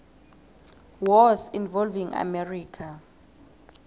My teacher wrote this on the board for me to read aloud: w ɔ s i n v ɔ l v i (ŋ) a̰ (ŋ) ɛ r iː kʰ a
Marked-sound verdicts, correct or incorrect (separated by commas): correct, incorrect